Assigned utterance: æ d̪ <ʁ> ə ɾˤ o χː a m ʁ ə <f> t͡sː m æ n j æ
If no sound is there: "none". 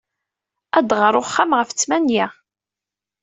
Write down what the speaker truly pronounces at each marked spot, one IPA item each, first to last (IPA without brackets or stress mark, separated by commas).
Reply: ʁ, f